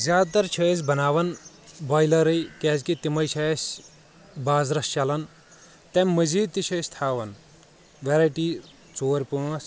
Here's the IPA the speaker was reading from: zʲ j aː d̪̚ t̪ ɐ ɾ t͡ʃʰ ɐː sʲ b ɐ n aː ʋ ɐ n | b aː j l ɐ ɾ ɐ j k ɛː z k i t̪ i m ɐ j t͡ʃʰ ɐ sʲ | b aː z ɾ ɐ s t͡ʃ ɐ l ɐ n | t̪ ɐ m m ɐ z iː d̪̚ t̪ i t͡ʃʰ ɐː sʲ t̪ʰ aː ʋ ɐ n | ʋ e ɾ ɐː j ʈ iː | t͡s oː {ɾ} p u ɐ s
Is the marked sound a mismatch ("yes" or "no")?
no